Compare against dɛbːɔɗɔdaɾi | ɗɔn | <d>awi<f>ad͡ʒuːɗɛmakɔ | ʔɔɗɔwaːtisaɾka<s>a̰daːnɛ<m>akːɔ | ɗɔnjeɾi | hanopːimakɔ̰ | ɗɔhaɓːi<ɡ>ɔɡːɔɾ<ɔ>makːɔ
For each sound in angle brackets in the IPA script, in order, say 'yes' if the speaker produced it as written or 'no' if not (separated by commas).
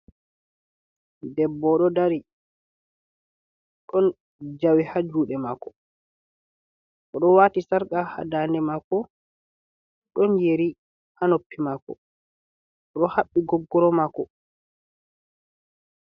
no, no, no, yes, yes, yes